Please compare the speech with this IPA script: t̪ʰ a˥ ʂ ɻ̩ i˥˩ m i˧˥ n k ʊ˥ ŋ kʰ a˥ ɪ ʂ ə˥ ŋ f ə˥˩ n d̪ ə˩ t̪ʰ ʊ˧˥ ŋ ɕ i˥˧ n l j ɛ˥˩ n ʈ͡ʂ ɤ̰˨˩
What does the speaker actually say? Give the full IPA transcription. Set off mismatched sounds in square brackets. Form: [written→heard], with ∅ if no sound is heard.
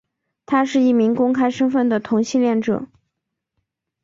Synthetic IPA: t̪ʰ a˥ ʂ ɻ̩ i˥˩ m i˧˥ [n→ŋ] k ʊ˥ ŋ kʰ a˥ ɪ ʂ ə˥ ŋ f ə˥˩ n d̪ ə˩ t̪ʰ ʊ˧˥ ŋ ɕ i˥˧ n l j ɛ˥˩ n ʈ͡ʂ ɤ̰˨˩